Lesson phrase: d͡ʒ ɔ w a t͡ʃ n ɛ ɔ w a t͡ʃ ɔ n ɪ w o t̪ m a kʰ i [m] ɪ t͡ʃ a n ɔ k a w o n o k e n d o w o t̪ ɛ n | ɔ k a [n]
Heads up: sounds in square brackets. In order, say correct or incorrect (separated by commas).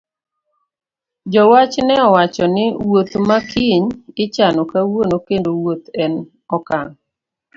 incorrect, incorrect